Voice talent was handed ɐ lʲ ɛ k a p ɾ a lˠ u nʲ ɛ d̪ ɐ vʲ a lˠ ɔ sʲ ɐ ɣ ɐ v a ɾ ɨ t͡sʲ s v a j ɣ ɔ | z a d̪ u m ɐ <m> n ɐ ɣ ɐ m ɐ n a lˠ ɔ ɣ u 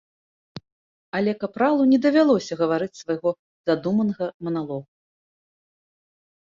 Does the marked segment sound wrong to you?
yes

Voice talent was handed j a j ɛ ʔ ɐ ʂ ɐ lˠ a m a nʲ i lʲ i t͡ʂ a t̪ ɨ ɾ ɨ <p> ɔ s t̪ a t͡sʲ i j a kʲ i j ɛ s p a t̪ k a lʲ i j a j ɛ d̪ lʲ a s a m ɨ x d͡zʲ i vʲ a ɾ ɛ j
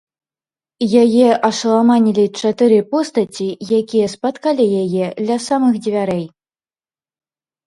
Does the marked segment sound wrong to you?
no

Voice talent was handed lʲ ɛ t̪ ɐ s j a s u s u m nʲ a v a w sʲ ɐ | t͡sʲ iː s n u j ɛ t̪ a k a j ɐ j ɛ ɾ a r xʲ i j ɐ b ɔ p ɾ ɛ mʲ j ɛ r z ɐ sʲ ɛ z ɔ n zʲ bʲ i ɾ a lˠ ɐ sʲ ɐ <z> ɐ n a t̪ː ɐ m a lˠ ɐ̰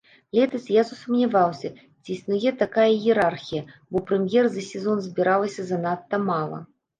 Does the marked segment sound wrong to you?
no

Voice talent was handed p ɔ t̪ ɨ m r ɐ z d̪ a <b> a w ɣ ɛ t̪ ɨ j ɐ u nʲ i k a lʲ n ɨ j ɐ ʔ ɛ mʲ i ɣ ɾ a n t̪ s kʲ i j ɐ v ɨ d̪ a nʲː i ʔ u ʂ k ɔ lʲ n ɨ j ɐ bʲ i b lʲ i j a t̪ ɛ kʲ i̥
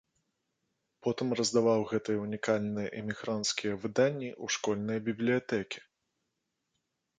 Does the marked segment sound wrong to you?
yes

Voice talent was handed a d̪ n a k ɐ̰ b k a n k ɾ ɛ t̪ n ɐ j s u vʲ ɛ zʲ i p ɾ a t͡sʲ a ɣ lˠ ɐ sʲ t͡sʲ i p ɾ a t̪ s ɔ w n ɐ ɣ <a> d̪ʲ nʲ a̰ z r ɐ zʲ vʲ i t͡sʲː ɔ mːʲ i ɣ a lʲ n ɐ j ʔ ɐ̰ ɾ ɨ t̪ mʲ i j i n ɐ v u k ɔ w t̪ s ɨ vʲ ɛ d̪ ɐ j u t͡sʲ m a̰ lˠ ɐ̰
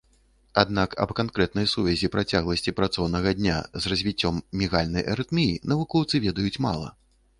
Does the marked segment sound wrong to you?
yes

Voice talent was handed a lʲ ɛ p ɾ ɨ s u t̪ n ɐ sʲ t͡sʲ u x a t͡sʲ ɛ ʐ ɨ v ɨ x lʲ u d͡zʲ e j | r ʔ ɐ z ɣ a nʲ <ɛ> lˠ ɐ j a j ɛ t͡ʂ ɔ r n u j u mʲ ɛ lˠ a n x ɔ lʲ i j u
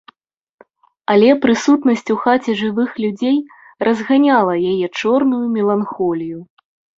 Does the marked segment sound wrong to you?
yes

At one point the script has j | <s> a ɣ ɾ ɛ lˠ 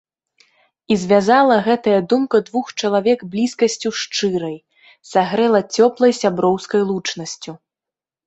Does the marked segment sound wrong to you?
no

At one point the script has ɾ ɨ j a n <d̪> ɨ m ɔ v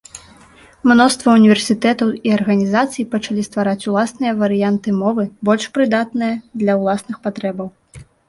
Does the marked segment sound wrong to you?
yes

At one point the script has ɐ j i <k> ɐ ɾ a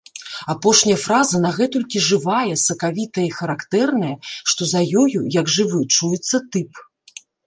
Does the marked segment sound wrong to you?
yes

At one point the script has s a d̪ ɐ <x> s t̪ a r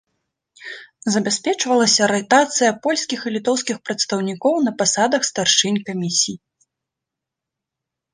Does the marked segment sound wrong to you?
no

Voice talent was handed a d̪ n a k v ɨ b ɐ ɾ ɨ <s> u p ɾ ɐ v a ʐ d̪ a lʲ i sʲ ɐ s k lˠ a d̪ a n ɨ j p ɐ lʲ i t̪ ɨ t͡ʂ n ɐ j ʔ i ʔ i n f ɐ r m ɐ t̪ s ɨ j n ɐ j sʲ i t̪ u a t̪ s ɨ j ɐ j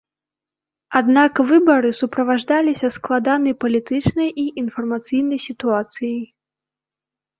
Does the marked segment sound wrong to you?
no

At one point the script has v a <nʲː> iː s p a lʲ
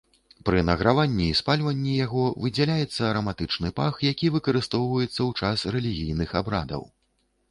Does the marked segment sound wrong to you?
no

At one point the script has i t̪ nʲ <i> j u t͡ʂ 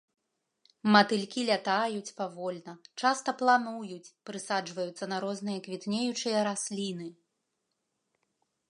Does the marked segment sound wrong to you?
yes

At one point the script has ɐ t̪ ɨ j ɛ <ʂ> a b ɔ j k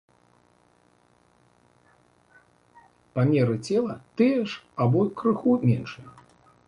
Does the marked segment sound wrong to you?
no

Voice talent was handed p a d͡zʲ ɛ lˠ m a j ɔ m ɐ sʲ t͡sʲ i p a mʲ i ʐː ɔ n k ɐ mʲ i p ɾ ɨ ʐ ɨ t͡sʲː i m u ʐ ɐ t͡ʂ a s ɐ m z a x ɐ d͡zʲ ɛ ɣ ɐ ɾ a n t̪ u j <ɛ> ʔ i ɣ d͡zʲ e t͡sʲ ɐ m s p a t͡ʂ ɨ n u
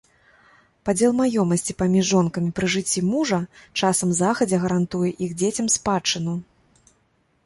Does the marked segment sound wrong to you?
no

